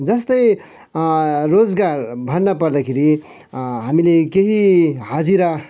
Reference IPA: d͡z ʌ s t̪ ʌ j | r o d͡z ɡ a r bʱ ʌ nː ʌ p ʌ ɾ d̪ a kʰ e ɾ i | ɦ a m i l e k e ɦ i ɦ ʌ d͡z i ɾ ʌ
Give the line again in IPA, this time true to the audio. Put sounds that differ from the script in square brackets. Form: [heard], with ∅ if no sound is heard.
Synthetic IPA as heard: d͡z ʌ s t̪ ʌ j | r o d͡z ɡ a r bʱ ʌ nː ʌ p ʌ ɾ d̪ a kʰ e ɾ i | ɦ a m i l e k e ɦ i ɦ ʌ d͡z i ɾ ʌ